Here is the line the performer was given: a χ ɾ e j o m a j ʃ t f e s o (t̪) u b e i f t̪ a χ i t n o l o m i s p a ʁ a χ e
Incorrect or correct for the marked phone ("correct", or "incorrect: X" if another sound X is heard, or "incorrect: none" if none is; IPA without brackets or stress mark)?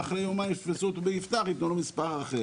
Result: correct